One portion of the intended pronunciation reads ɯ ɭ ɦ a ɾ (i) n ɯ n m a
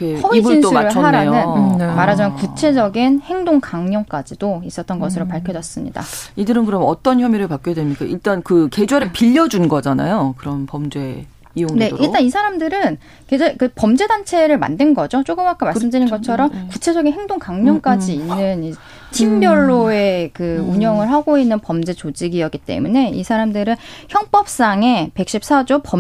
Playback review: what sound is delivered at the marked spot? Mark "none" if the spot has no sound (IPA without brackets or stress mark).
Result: a